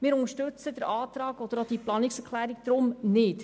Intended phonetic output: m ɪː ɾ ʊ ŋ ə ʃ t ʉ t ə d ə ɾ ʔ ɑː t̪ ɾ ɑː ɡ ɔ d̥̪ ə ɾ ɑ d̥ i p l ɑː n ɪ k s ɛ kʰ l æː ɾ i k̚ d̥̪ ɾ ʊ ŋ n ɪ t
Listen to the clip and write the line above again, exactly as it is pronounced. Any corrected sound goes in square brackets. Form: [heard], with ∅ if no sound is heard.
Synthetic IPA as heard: m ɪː ɾ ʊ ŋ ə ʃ t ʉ [t͡s] ə d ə ɾ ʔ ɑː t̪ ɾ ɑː ɡ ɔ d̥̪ ə ɾ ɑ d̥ i p l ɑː n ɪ k s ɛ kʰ l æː ɾ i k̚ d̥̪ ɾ ʊ [m] n ɪ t